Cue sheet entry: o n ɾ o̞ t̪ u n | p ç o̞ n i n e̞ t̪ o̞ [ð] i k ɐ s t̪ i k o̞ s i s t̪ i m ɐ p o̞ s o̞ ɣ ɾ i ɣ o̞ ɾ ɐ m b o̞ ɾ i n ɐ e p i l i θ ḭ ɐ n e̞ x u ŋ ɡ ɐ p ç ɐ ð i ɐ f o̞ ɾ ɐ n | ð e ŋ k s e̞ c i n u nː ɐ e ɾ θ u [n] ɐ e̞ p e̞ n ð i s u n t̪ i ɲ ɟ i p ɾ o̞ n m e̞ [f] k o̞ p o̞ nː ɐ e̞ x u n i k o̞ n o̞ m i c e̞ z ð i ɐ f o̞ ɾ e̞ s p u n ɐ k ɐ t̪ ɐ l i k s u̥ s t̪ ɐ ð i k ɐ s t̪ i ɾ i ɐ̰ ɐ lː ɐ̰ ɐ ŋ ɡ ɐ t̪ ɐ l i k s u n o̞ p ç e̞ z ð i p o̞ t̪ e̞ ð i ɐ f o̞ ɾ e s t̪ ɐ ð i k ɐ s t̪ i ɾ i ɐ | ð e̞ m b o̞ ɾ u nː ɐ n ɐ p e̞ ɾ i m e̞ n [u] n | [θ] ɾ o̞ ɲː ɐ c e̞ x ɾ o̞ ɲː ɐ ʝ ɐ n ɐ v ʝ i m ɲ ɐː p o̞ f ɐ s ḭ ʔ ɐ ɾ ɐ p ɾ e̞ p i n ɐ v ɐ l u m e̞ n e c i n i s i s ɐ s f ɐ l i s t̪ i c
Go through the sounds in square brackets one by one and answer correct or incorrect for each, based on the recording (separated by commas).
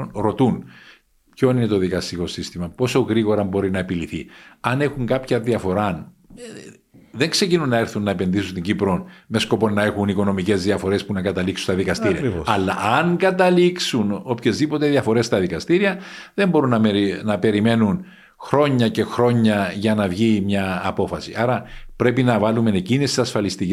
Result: correct, incorrect, incorrect, correct, incorrect